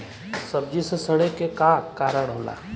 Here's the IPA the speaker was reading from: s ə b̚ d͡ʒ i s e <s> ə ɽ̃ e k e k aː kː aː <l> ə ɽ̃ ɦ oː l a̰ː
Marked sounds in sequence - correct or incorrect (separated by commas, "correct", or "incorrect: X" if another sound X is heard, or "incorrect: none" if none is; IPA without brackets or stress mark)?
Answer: correct, incorrect: ɾ